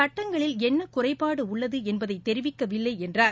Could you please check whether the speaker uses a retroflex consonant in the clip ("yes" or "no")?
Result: yes